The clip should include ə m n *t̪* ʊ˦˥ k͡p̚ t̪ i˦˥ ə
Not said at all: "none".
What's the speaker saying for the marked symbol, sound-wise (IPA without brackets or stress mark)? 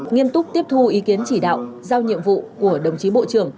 t̪